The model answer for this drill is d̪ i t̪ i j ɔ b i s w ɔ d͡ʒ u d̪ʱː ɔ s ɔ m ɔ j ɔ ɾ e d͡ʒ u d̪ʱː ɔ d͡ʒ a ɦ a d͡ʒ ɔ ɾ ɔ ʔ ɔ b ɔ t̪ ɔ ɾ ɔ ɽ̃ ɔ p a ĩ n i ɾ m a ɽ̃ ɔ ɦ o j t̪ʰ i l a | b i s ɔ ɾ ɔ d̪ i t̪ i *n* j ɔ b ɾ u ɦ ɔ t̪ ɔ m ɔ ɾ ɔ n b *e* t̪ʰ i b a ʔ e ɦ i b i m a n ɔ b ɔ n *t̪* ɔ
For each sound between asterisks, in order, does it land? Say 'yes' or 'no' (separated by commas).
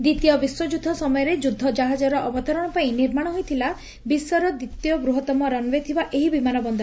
no, yes, no